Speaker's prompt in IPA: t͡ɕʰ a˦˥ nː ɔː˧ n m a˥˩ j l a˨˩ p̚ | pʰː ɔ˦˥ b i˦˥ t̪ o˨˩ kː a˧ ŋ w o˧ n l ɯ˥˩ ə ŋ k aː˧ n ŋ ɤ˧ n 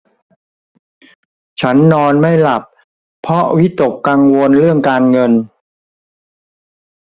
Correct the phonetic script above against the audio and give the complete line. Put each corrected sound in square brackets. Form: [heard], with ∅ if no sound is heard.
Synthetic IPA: t͡ɕʰ a˦˥ nː ɔː˧ n m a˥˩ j l a˨˩ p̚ | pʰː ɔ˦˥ [w] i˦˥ t̪ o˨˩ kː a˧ ŋ w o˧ n [ɾ] ɯ˥˩ ə ŋ k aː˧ n ŋ ɤ˧ n